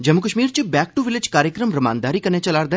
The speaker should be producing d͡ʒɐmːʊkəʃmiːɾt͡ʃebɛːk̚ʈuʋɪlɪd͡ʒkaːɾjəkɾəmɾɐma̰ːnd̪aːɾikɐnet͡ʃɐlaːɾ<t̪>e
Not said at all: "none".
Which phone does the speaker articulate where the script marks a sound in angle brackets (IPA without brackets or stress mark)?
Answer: d̪